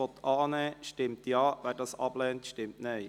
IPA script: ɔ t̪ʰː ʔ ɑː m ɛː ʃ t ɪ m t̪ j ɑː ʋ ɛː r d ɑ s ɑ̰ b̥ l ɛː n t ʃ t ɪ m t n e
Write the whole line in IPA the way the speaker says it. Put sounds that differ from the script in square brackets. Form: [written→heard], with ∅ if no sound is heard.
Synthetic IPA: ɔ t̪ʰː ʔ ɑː [m→n] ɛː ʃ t ɪ m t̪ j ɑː ʋ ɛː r d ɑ s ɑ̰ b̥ l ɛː n t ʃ t ɪ m t n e